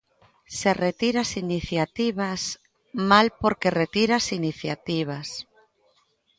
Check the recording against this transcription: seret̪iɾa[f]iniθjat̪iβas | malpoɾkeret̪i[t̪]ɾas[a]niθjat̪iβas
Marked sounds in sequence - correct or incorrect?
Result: incorrect: s, incorrect: none, incorrect: i

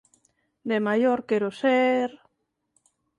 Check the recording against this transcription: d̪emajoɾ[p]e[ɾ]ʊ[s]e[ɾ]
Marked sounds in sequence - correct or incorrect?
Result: incorrect: k, correct, correct, correct

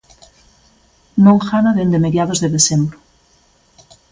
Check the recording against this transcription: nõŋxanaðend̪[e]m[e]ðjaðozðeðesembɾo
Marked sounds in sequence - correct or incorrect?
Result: correct, correct

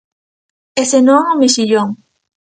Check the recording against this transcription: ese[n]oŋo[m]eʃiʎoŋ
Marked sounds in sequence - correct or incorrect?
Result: correct, correct

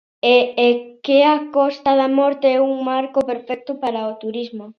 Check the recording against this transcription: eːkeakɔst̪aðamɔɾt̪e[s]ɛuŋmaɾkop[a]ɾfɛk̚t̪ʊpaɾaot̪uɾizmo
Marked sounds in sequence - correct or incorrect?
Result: incorrect: none, incorrect: e

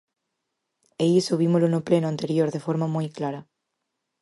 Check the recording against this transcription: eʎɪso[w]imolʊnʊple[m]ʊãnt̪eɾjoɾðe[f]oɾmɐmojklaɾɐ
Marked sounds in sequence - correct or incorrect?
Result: incorrect: β, incorrect: n, correct

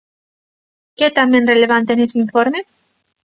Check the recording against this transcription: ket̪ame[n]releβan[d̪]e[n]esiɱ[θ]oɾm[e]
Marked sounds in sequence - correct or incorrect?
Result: correct, incorrect: t̪, correct, incorrect: f, correct

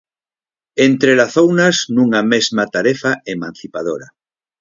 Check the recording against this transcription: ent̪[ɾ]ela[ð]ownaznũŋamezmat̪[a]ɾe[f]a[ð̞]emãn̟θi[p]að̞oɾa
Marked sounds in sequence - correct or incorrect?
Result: correct, incorrect: θ, correct, correct, incorrect: none, correct

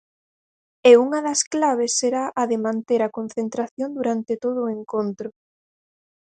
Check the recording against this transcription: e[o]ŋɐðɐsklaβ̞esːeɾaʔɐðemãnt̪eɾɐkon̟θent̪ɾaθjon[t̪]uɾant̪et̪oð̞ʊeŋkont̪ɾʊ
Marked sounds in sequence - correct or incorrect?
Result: incorrect: u, incorrect: d̪

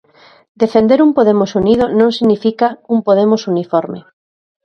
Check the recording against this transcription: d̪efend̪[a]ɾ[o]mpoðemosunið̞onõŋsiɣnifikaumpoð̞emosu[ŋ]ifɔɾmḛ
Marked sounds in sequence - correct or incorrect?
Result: incorrect: e, incorrect: u, incorrect: n

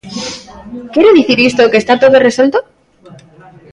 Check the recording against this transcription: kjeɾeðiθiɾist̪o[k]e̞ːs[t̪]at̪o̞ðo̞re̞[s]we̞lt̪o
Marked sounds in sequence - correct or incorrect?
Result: correct, correct, correct

